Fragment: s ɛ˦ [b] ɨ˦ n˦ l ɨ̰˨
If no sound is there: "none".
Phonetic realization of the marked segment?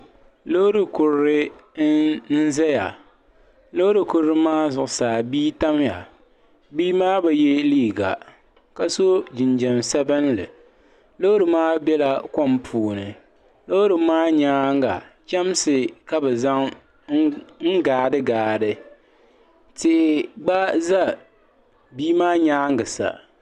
b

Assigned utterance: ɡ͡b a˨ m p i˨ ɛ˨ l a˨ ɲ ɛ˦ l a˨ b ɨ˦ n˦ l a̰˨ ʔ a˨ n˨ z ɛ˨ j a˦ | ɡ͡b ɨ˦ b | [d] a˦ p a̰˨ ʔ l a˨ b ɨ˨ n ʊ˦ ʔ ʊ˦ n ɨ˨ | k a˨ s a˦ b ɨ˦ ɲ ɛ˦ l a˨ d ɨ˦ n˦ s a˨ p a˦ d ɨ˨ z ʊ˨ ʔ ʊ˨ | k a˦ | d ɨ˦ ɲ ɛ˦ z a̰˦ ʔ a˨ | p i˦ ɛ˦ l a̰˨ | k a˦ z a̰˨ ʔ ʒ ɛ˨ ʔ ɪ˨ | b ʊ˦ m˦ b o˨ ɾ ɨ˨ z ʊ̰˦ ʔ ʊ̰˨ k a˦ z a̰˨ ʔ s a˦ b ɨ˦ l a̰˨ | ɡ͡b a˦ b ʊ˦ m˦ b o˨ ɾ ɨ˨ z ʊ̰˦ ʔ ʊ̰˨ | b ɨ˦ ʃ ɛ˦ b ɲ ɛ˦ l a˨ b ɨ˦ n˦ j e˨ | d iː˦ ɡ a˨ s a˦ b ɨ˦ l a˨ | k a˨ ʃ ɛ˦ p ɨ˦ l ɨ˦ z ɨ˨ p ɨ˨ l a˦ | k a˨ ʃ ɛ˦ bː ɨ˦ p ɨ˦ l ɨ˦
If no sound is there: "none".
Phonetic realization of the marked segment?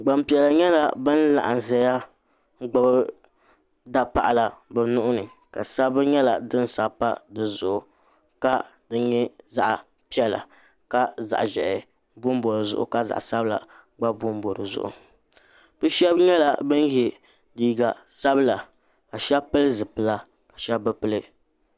d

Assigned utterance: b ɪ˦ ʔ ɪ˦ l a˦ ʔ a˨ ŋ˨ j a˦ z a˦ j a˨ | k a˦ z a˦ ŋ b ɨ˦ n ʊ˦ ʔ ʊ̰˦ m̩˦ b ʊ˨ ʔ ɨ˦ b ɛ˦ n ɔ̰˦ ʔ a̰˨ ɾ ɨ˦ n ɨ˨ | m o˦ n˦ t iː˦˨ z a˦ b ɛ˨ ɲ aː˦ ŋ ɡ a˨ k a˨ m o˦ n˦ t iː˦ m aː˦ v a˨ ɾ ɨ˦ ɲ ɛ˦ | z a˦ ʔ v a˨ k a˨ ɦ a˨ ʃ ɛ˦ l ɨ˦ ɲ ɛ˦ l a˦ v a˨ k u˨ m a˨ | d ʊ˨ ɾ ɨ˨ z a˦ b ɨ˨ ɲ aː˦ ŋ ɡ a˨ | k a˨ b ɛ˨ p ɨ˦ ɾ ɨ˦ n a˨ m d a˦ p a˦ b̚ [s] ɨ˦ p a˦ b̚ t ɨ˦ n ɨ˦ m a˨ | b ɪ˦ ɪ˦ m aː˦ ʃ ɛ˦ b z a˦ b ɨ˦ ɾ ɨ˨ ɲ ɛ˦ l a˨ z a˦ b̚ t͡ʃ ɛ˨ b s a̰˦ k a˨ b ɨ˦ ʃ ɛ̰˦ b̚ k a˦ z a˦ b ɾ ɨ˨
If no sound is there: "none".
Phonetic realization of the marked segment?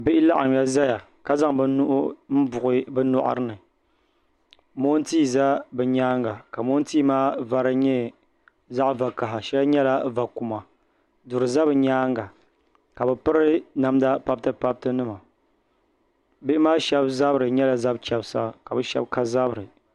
t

